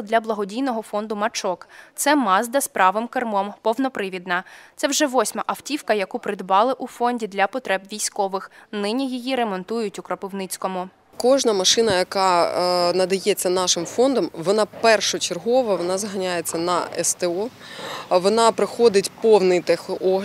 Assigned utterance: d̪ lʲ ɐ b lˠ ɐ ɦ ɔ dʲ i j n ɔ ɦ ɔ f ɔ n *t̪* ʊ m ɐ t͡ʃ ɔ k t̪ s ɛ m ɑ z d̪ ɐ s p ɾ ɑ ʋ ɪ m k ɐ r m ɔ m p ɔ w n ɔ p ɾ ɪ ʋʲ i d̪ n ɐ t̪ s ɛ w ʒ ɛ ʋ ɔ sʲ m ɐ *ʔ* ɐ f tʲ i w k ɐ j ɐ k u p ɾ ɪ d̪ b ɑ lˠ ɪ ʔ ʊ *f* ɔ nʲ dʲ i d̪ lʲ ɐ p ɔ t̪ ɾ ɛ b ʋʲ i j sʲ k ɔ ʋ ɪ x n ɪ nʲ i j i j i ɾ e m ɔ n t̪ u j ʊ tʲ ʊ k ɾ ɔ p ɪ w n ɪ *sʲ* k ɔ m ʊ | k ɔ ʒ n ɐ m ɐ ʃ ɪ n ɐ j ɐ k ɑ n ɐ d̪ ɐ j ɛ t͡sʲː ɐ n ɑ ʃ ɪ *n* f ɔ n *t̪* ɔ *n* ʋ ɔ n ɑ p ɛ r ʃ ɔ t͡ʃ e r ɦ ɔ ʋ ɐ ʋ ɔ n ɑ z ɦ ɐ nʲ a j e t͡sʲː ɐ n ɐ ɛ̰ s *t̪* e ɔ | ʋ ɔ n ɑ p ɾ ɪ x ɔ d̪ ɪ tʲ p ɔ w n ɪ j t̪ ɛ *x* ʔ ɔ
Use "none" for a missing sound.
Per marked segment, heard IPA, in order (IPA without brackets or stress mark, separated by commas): d̪, ʔ, f, t͡sʲ, m, d̪, m, t̪, x